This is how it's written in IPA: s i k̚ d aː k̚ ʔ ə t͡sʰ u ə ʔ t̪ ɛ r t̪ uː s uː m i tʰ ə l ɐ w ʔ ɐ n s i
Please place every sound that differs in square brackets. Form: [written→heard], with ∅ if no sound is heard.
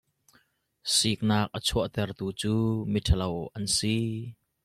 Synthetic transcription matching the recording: s i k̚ [d→n] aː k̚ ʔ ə t͡sʰ u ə ʔ t̪ ɛ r t̪ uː [s→t͡s] uː m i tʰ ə l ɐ w ʔ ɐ n s i

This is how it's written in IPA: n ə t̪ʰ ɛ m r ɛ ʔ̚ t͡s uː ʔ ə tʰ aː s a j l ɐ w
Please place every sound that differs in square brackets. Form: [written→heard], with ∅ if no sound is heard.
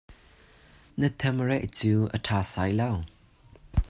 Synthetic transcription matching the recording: n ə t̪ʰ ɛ m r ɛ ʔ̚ t͡s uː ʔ ə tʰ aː s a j l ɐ w

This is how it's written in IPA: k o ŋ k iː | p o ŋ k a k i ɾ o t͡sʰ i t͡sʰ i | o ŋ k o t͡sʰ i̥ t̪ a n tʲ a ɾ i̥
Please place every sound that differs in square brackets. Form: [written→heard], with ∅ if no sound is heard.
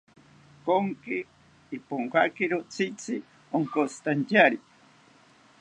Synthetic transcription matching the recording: k o ŋ k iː | p o ŋ k a k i ɾ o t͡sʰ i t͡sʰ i | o ŋ k o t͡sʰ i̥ t̪ a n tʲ a ɾ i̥

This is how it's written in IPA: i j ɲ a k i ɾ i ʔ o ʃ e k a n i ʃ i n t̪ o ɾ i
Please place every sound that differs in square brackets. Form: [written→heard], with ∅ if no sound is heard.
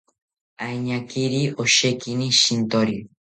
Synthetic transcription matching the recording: [i→a] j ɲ a k i ɾ i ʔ o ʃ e k [a→i] n i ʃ i n t̪ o ɾ i

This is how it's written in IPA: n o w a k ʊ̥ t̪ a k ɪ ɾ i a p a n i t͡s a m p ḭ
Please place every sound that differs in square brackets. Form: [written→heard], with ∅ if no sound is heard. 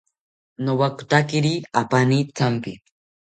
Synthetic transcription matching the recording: n o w a k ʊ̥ t̪ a k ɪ ɾ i a p a n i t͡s a m p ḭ

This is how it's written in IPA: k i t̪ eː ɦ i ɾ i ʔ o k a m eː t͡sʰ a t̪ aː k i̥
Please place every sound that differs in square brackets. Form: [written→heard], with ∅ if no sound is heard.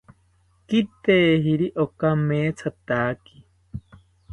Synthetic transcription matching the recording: k i t̪ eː ɦ i ɾ i ʔ o k a m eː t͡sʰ a t̪ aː k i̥

